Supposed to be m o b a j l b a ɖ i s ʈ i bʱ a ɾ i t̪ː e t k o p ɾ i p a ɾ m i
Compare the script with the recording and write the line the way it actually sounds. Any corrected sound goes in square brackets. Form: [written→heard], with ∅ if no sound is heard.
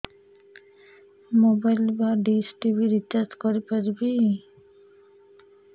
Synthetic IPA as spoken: m o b a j l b a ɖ i s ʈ i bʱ [a→i] ɾ i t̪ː [e→a] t k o [p→∅] ɾ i p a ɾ [m→b] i